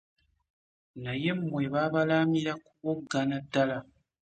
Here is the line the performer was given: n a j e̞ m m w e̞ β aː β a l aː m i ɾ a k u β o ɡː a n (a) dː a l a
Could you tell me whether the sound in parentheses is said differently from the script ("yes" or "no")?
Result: no